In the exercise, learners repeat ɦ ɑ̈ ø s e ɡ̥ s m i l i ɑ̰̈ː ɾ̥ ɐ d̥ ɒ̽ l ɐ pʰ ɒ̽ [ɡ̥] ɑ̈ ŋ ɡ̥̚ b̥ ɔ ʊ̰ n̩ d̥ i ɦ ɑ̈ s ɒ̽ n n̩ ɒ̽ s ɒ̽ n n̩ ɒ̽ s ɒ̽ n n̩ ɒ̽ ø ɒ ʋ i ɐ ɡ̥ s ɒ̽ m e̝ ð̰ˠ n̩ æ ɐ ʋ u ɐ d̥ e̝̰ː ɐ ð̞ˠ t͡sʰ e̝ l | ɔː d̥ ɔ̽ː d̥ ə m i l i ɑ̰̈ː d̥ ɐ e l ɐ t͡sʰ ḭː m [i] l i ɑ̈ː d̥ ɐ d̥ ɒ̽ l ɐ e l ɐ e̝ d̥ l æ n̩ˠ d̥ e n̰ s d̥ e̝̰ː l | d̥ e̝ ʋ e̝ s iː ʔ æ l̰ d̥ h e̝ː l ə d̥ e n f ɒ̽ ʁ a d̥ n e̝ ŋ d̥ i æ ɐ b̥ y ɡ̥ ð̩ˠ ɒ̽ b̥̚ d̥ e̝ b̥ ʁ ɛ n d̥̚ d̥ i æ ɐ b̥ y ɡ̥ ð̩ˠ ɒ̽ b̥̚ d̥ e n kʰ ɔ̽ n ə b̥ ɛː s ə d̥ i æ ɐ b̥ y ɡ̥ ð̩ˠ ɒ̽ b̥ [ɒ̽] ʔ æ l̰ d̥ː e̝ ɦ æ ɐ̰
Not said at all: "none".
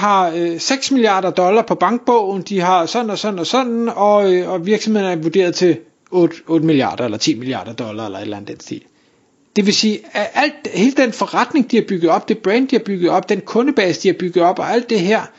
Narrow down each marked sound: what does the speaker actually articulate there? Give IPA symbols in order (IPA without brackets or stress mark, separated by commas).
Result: b̥, i, ɒ̽